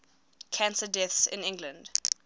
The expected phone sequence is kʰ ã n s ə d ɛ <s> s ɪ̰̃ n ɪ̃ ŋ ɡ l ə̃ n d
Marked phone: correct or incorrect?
incorrect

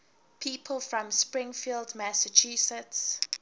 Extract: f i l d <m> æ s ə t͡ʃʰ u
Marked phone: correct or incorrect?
correct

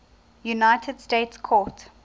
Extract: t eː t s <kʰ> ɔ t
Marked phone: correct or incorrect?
correct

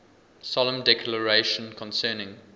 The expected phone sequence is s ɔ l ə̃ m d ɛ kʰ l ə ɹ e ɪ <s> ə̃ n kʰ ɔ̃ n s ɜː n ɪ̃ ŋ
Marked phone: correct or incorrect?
incorrect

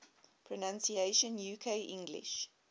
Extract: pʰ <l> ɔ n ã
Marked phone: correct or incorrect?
incorrect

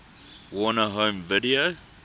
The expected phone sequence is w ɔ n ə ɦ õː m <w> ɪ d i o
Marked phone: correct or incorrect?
incorrect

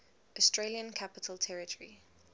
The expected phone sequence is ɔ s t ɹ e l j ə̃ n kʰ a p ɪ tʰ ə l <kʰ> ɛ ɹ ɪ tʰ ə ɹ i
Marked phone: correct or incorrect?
incorrect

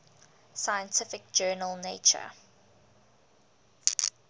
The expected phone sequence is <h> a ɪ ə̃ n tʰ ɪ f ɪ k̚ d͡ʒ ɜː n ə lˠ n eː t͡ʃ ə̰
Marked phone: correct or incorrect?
incorrect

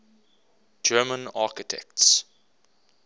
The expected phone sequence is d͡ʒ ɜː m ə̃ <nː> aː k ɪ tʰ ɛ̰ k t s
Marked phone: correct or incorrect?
incorrect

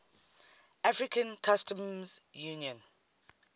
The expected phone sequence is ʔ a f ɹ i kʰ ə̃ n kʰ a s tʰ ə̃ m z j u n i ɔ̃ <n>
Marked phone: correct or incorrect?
correct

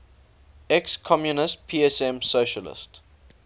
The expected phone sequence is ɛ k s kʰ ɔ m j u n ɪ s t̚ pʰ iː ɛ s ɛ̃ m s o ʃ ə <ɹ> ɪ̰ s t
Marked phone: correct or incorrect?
incorrect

